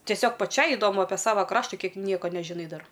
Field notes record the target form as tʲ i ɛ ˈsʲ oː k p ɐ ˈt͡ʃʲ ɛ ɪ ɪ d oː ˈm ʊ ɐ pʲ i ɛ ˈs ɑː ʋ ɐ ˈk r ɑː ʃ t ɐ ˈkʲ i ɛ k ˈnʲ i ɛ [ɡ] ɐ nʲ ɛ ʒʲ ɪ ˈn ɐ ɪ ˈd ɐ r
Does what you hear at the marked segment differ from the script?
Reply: yes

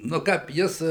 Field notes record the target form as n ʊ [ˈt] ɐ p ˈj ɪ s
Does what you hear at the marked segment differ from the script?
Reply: yes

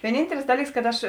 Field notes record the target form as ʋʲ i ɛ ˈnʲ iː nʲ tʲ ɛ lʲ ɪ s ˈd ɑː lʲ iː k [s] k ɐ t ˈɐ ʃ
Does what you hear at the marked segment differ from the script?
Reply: no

